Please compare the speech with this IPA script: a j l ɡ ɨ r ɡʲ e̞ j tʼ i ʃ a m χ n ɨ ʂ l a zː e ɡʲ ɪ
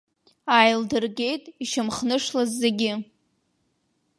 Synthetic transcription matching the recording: a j l d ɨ r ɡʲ e̞ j tʼ i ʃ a m χ n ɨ ʂ l a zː e ɡʲ ɪ